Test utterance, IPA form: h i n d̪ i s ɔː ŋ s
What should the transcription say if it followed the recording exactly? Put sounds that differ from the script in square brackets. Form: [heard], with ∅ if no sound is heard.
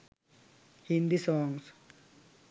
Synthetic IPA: h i n d̪ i s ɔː ŋ s